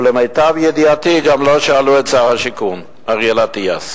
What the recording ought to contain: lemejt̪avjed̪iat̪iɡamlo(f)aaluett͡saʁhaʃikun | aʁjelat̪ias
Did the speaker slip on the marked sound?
yes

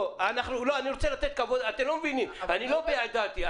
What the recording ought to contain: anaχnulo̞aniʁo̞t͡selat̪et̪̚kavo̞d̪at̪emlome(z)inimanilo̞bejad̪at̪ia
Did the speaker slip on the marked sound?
yes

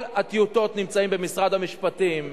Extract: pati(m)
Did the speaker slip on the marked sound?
no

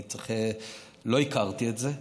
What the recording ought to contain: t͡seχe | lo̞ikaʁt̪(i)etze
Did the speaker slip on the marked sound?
no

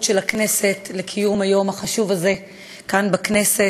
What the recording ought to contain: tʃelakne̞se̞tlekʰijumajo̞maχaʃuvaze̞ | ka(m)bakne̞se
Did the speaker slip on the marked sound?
yes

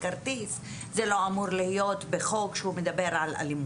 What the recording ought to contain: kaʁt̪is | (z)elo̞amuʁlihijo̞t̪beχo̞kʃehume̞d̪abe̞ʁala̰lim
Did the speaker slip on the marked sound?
no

